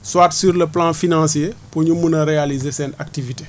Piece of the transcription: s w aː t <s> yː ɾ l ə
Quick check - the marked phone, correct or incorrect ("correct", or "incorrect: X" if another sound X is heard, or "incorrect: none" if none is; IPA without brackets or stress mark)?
correct